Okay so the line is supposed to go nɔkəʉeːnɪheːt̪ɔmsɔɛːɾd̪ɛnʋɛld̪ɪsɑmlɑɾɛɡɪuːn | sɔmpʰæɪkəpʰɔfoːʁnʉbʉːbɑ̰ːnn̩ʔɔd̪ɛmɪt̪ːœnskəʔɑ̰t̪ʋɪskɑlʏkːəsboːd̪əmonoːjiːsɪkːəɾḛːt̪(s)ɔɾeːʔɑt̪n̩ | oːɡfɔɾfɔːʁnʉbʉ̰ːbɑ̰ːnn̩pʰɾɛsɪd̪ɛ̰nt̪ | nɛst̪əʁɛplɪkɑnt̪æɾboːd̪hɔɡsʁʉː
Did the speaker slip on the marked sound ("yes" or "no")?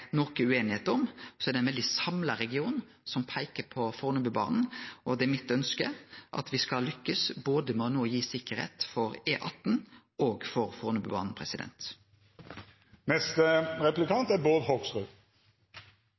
yes